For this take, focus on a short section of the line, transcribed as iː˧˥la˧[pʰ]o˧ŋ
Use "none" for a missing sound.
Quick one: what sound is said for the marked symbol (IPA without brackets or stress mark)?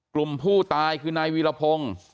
pʰ